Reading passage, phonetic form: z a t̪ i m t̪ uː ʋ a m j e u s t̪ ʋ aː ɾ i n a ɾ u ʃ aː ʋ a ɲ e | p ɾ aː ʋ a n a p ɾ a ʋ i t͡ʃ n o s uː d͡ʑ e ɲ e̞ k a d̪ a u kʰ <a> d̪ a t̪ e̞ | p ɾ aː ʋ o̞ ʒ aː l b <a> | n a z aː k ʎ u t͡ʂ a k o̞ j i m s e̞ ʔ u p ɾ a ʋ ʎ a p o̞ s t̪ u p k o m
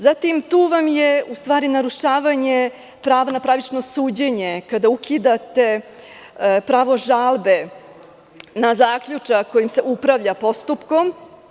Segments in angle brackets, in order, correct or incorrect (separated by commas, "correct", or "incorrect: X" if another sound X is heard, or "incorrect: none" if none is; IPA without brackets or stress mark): incorrect: i, incorrect: e